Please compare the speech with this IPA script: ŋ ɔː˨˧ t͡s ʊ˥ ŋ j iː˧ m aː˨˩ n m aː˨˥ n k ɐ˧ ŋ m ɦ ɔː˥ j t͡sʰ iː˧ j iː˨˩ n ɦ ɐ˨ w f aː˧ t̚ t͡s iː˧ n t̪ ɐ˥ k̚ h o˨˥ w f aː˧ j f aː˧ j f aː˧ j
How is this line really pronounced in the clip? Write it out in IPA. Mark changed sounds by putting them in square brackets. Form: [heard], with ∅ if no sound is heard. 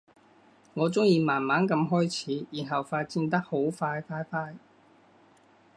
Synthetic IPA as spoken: ŋ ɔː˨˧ t͡s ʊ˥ ŋ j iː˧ m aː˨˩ n m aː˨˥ n k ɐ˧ [∅] m ɦ ɔː˥ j t͡sʰ [iː˨˥] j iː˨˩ n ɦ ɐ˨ w f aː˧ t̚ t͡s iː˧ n t̪ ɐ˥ k̚ h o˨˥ w f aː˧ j f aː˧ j f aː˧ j